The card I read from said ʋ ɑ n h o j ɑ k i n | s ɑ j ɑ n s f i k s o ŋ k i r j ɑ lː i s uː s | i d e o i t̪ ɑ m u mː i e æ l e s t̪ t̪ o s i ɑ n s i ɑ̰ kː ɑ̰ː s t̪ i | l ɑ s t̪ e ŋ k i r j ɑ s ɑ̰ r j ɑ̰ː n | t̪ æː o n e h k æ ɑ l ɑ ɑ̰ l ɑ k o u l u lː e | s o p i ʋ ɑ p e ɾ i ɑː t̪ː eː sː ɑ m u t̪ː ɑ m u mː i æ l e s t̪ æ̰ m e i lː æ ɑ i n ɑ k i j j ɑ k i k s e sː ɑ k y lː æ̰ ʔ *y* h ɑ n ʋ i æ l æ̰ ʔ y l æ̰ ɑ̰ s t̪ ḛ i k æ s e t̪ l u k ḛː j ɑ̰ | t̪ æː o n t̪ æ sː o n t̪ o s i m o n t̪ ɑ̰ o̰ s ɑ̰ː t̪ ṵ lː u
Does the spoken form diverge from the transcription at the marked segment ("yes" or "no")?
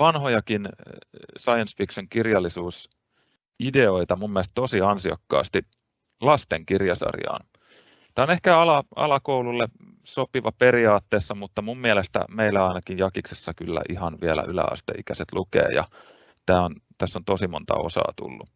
yes